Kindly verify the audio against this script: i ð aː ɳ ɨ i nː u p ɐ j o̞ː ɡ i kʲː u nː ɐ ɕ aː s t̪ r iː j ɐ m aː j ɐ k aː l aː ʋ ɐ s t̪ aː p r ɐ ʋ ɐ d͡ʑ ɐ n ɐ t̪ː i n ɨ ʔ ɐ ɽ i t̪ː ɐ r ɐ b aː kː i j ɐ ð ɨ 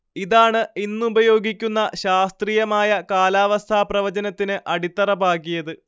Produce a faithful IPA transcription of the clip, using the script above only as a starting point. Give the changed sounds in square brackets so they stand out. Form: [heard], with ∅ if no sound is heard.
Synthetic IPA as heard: i ð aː ɳ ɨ i nː u [b] ɐ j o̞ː ɡ i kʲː u nː ɐ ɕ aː s t̪ r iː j ɐ m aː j ɐ k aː l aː ʋ ɐ s [t̪ʰ] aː p r ɐ ʋ ɐ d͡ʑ ɐ n ɐ t̪ː i n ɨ ʔ ɐ ɽ i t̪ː ɐ r ɐ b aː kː i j ɐ ð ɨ

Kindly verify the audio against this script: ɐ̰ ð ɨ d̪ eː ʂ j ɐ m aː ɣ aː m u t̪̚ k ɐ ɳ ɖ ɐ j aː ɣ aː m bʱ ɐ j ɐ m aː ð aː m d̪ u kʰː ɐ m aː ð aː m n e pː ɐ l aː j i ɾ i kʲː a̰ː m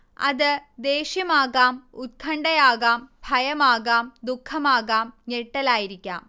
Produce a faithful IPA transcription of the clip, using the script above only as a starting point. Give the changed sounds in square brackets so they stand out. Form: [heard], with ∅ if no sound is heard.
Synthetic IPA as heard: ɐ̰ ð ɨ d̪ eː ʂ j ɐ m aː ɣ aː m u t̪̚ [kʰ] ɐ ɳ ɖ ɐ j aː ɣ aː m bʱ ɐ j ɐ m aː [ɣ] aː m d̪ u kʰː ɐ m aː [ɣ] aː m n e [ʈː] ɐ l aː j i ɾ i kʲː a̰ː m

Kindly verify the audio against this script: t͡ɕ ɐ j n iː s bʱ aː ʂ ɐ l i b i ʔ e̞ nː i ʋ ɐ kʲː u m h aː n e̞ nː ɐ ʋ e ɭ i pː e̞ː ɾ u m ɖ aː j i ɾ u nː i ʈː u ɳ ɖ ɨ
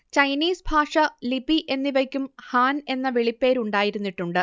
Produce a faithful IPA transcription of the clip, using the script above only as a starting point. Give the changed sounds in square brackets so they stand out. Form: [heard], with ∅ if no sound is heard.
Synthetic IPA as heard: t͡ɕ ɐ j n iː s bʱ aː ʂ ɐ l i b i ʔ e̞ nː i ʋ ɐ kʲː u m h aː n e̞ nː ɐ ʋ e ɭ i pː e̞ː ɾ u [ɳ] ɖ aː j i ɾ u nː i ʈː u ɳ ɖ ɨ

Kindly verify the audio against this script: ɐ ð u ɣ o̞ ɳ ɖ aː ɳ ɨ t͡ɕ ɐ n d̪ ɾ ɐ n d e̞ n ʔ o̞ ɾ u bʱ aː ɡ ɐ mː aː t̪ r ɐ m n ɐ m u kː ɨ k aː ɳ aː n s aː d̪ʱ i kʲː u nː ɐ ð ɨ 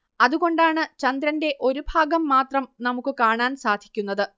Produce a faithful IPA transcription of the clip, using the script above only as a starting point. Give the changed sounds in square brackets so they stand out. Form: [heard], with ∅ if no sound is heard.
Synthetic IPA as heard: ɐ ð u ɣ o̞ ɳ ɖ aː ɳ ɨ t͡ɕ ɐ n d̪ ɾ ɐ n d e̞ [∅] ʔ o̞ ɾ u bʱ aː ɡ ɐ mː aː t̪ r ɐ m n ɐ m u kː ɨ k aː ɳ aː n s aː d̪ʱ i kʲː u nː ɐ ð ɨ

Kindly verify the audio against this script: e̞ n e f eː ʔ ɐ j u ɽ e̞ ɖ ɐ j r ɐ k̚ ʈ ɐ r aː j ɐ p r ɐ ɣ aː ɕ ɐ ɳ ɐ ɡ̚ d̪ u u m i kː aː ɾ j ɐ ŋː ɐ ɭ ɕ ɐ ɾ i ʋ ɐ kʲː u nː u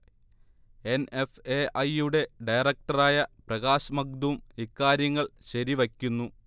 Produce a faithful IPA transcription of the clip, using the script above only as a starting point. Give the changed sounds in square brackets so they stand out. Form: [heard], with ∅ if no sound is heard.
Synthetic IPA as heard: e̞ n e f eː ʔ ɐ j u ɽ e̞ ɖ ɐ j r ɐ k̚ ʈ ɐ r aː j ɐ p r ɐ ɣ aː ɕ ɐ [m] ɐ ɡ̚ d̪ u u m i kː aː ɾ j ɐ ŋː ɐ ɭ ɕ ɐ ɾ i ʋ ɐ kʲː u nː u

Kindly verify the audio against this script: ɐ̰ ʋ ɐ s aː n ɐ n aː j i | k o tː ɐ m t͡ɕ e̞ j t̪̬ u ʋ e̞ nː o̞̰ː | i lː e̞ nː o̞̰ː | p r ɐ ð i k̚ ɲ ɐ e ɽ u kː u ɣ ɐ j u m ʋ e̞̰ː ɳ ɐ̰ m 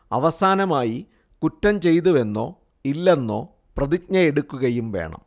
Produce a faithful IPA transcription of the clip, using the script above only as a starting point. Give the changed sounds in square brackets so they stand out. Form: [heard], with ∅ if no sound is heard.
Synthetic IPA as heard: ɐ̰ ʋ ɐ s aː n ɐ [m] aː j i | k [u] tː ɐ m t͡ɕ e̞ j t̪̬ u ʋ e̞ nː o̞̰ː | i lː e̞ nː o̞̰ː | p r ɐ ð i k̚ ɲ ɐ e ɽ u kː u ɣ ɐ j u m ʋ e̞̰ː ɳ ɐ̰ m

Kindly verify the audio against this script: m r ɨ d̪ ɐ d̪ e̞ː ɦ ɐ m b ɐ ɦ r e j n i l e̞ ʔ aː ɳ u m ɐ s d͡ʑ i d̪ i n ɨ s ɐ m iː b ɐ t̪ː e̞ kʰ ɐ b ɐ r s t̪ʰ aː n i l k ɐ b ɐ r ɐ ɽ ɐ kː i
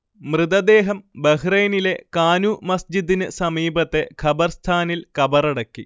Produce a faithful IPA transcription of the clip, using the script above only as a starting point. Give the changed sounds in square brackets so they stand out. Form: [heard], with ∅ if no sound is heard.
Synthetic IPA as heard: m r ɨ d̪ ɐ d̪ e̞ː ɦ ɐ m b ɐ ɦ r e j n i l e̞ [k] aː [n] u m ɐ s d͡ʑ i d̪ i n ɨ s ɐ m iː b ɐ t̪ː e̞ kʰ ɐ b ɐ r s t̪ʰ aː n i l k ɐ b ɐ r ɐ ɽ ɐ kː i

